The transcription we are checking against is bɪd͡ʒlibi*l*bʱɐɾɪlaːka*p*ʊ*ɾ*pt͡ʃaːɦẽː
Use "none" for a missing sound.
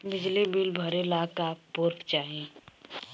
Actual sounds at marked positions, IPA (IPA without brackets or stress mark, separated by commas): l, p, ɾ